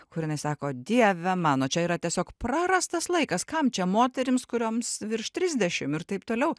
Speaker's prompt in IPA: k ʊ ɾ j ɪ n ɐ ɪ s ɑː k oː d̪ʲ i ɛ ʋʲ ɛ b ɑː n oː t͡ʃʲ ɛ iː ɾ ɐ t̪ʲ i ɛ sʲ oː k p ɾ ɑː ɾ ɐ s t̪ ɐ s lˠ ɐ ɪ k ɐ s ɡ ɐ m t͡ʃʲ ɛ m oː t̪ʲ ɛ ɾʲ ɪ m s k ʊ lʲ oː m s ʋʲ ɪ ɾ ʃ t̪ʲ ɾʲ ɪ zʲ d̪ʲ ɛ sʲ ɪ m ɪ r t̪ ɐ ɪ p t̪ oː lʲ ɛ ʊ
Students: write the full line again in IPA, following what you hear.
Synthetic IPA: k ʊ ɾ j ɪ n ɐ ɪ s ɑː k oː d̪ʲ i ɛ ʋʲ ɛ m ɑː n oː t͡ʃʲ ɛ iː ɾ ɐ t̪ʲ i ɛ sʲ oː k p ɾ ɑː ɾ ɐ s t̪ ɐ s lˠ ɐ ɪ k ɐ s k ɐ m t͡ʃʲ ɛ m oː t̪ʲ ɛ ɾʲ ɪ m s k ʊ ɾʲ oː m s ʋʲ ɪ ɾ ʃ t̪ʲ ɾʲ ɪ zʲ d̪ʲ ɛ ʃʲ ɪ m ɪ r t̪ ɐ ɪ p t̪ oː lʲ ɛ ʊ